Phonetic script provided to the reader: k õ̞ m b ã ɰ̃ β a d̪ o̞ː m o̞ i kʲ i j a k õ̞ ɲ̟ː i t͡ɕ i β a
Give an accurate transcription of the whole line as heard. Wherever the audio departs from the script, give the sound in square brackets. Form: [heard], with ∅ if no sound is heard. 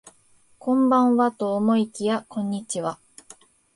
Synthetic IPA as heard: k õ̞ m b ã ɰ̃ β a [t̪] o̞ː m o̞ i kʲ i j a k õ̞ ɲ̟ː i t͡ɕ i β a